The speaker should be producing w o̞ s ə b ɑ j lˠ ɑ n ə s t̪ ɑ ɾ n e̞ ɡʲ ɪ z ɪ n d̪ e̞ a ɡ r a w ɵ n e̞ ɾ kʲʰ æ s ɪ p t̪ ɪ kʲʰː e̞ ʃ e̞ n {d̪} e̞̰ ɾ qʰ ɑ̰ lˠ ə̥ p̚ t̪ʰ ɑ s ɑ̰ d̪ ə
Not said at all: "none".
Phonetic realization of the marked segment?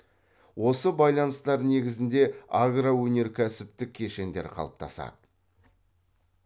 d̪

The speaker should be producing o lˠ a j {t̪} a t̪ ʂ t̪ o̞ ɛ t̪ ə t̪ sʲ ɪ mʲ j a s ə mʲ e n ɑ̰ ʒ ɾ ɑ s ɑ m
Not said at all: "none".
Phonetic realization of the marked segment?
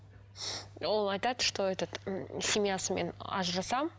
t̪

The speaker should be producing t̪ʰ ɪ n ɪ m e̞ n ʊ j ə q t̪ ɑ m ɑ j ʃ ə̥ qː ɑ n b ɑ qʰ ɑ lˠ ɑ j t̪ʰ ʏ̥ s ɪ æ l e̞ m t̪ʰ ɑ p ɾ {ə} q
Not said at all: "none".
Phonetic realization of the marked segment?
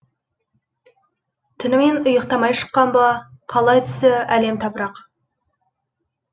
ɑ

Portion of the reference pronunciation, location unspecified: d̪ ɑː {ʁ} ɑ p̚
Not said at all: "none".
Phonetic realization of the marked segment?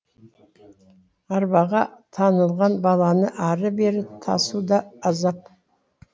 z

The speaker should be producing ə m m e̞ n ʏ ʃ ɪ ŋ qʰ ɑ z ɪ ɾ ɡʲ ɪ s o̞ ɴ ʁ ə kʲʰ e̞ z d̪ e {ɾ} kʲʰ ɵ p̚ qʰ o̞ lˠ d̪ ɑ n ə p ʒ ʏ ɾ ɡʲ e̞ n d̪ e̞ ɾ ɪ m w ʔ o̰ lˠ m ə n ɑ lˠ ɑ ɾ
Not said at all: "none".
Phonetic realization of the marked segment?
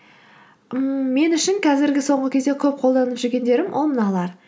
none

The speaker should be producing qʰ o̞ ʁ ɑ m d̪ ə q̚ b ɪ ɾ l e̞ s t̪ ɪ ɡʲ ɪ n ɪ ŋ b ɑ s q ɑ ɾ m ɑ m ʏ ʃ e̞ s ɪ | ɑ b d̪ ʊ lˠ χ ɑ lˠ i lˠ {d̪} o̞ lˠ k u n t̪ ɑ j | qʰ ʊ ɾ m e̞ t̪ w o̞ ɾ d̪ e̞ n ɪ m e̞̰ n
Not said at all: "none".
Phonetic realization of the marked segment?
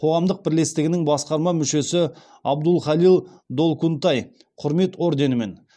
d̪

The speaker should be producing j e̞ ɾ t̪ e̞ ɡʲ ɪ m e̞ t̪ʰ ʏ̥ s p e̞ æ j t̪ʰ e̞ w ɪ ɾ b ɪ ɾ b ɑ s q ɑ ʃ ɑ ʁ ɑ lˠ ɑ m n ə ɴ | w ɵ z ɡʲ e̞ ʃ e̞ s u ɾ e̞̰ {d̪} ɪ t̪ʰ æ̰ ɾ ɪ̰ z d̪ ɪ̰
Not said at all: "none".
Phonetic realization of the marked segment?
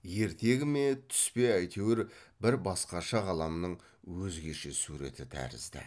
t̪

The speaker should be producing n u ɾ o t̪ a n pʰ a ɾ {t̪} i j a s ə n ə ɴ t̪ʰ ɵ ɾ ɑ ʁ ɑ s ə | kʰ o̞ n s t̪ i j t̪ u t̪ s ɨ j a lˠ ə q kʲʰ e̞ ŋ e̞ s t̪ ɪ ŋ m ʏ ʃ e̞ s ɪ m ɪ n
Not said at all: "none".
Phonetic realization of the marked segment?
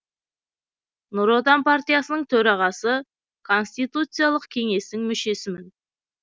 t̪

